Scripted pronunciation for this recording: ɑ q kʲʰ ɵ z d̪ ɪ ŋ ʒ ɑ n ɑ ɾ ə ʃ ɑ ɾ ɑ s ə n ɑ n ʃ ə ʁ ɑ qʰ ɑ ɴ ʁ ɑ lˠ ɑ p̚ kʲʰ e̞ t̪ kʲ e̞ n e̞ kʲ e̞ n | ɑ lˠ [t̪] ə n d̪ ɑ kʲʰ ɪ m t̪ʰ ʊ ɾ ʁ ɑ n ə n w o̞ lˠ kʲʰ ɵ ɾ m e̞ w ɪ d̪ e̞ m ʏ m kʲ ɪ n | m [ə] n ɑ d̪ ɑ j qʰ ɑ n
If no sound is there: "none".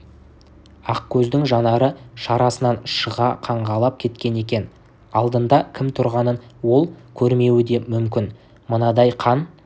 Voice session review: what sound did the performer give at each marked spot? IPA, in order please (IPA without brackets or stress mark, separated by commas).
d̪, ə